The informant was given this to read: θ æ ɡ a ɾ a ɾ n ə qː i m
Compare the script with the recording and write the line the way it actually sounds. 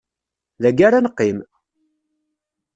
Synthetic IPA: ð æ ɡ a ɾ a n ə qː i m